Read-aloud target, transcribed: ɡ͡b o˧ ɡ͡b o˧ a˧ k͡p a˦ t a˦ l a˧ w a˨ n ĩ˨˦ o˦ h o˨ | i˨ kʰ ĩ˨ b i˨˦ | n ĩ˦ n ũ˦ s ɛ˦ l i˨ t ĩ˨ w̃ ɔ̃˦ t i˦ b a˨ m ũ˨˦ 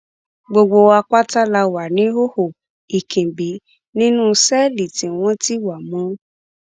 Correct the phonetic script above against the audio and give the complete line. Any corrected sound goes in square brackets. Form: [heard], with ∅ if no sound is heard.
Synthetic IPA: ɡ͡b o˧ ɡ͡b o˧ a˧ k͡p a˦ t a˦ l a˧ w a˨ n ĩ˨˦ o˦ h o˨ | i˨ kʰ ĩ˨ b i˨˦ | n ĩ˦ n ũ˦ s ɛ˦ l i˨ t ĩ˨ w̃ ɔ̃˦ t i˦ [w] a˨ m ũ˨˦